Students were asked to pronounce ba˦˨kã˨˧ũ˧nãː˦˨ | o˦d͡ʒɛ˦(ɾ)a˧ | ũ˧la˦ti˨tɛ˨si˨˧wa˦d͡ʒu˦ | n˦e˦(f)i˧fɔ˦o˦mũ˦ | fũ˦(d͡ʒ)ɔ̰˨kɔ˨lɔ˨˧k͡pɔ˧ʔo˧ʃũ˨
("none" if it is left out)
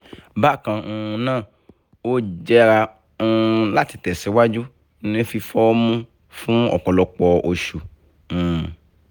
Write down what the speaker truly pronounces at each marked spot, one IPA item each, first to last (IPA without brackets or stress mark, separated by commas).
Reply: ɾ, f, none